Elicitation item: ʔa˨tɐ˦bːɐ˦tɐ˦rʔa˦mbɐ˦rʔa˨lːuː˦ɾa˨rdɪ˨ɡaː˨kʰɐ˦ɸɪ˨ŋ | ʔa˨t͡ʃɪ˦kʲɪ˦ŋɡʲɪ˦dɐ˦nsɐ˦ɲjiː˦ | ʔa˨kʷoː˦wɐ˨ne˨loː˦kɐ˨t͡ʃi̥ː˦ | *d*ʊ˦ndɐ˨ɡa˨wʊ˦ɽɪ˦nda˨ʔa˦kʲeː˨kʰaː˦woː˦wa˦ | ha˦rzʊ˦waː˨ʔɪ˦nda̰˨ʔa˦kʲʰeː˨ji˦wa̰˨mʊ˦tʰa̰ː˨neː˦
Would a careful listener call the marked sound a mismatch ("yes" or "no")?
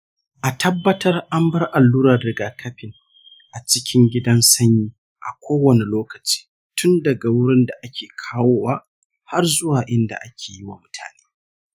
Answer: yes